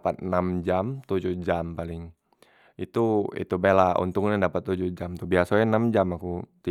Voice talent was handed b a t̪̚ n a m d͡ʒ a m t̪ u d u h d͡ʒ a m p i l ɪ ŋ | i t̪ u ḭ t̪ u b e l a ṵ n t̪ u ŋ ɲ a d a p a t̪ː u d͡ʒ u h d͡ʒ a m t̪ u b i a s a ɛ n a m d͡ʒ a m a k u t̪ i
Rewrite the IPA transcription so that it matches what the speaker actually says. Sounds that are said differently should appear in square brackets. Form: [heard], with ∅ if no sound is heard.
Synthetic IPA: [p] a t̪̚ n a m d͡ʒ a m t̪ u [d͡ʒ] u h d͡ʒ a m p [a] l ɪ ŋ | i t̪ u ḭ t̪ u b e l a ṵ n t̪ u ŋ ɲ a d a p a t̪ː u d͡ʒ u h d͡ʒ a m t̪ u b i a s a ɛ n a m d͡ʒ a m a k u t̪ i